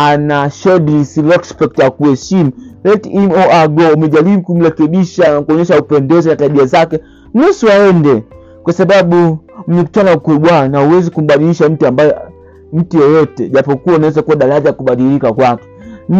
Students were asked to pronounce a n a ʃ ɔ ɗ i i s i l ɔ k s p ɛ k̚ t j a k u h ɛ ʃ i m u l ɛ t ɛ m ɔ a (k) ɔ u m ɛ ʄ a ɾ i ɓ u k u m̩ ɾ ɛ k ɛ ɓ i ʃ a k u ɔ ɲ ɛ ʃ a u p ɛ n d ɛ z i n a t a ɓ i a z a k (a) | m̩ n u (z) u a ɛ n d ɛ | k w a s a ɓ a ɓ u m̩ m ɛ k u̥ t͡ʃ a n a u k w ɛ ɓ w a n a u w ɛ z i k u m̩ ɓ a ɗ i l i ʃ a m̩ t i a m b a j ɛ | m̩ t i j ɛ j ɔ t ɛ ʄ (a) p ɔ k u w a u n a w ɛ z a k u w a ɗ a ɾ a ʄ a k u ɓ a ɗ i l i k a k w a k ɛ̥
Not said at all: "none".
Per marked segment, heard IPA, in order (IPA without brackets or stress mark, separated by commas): ɡ, ɛ, s, a